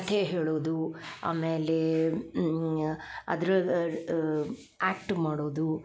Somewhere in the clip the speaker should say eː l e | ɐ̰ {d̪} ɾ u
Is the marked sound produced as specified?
yes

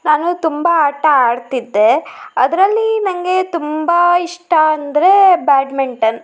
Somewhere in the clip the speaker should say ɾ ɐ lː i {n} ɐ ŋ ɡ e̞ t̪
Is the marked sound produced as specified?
yes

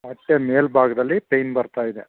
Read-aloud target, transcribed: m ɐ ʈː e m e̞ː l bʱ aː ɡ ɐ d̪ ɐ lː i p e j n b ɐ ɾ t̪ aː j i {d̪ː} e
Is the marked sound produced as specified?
no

